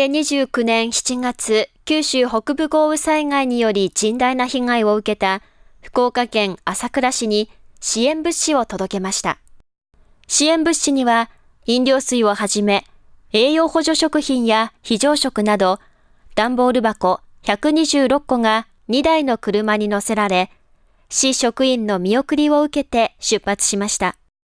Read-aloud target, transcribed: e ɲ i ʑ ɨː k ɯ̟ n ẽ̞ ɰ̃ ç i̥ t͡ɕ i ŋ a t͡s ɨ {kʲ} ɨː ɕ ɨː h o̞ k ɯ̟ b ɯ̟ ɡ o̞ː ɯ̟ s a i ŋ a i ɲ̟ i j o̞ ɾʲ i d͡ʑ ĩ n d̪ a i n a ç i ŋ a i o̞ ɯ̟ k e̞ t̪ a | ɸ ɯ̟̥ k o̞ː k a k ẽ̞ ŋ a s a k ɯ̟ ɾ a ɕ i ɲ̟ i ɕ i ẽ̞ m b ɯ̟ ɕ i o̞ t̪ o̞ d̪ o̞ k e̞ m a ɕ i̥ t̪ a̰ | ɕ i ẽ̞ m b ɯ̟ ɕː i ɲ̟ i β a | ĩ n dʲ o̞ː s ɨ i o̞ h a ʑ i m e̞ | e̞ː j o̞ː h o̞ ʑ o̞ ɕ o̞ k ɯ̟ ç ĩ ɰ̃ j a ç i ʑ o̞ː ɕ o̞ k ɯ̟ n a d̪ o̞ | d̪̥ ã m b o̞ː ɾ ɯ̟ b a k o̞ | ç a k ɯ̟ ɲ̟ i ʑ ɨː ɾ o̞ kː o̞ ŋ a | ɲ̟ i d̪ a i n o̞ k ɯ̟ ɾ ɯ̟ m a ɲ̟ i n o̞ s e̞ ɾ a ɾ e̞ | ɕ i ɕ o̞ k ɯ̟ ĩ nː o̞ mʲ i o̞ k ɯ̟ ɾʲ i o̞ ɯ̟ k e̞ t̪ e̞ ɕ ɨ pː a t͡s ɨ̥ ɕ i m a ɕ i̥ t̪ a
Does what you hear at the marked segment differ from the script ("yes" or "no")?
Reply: no